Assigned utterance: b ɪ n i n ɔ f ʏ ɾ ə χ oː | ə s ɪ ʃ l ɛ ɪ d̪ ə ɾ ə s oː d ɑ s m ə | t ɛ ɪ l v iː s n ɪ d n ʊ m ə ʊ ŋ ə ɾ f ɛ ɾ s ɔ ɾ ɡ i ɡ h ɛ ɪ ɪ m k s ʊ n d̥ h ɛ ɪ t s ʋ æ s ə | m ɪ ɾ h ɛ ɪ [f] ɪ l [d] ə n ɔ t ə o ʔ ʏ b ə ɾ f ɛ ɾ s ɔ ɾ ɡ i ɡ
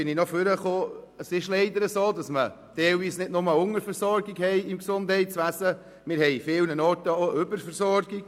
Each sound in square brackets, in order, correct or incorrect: correct, incorrect

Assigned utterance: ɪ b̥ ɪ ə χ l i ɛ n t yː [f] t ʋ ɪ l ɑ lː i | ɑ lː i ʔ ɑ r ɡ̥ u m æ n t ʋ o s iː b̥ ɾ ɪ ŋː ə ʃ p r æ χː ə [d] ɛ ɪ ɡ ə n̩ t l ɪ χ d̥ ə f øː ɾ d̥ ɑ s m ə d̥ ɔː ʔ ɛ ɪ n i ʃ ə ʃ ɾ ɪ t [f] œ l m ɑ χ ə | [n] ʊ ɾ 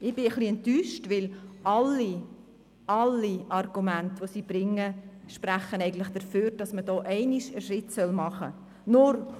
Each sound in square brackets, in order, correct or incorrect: incorrect, incorrect, incorrect, correct

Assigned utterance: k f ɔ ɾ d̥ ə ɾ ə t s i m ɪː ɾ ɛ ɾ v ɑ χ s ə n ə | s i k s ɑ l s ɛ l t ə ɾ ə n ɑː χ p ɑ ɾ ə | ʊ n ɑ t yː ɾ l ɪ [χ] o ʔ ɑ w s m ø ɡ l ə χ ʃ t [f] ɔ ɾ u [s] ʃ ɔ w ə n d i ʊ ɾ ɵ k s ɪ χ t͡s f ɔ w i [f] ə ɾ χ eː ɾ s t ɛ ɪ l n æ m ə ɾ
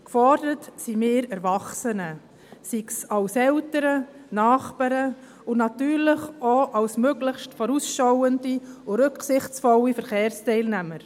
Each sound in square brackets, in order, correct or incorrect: correct, correct, correct, correct

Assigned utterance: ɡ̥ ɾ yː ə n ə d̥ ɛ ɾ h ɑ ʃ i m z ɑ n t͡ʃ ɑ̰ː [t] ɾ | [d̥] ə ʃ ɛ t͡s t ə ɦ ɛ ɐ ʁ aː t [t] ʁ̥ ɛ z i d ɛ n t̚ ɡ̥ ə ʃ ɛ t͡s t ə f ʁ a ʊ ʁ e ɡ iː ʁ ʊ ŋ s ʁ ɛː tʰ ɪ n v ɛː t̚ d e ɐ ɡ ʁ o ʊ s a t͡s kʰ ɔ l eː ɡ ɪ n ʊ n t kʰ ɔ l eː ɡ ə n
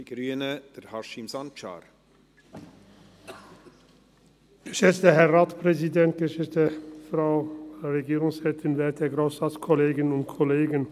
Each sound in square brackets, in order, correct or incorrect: incorrect, incorrect, incorrect

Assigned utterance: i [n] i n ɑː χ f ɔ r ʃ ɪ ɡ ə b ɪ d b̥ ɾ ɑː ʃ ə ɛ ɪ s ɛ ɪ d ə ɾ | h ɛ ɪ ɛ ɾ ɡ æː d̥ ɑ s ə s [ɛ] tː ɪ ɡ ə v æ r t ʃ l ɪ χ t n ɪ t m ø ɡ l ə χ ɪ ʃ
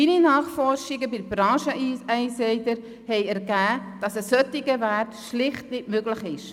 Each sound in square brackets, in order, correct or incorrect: correct, incorrect

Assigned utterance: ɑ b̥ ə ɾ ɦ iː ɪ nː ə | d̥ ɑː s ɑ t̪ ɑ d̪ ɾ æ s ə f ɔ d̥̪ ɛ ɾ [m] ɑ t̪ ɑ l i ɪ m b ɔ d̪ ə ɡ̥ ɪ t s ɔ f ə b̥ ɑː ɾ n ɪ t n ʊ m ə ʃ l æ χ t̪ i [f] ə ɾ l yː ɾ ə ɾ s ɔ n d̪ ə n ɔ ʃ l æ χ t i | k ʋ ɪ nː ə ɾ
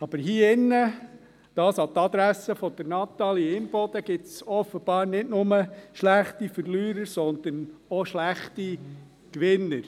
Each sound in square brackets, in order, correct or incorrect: incorrect, correct

